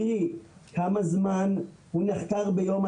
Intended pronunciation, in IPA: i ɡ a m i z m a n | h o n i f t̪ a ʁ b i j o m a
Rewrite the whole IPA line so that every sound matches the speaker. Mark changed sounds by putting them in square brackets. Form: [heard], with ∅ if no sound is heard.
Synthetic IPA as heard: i [k] a m [a] z m a n | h [u] n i [χ] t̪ a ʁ b [e] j o m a